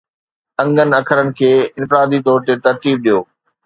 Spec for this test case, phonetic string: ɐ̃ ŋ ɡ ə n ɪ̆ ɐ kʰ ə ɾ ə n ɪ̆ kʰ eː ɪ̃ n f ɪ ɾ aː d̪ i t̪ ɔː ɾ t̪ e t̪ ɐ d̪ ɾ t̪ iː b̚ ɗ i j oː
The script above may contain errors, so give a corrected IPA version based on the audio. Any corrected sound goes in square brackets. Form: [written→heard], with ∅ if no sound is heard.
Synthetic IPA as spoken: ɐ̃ ŋ ɡ ə n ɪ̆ ɐ kʰ ə ɾ ə n ɪ̆ kʰ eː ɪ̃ n f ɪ ɾ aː d̪ i t̪ ɔː ɾ t̪ e t̪ ɐ [d̪→∅] ɾ t̪ iː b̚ ɗ i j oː